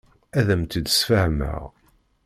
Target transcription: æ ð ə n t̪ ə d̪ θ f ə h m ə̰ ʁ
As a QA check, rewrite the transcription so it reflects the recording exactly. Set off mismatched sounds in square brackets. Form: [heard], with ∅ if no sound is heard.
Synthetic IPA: æ ð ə [m] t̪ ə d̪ [s] f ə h m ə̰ ʁ